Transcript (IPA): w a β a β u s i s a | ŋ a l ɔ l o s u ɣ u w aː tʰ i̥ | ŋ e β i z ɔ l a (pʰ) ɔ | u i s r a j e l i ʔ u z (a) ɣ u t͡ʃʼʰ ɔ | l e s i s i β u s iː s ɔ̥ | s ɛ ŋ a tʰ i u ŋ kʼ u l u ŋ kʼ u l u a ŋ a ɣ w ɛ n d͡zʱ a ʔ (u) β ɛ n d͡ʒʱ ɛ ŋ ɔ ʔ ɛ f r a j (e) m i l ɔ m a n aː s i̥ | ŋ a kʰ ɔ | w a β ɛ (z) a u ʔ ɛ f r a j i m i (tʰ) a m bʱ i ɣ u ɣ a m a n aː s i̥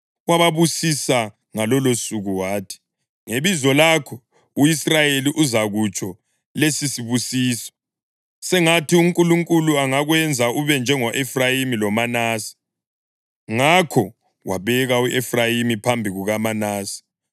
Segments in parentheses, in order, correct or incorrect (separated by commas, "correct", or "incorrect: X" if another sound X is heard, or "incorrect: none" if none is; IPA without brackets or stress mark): incorrect: kʰ, correct, correct, incorrect: i, incorrect: ɣ, incorrect: pʰ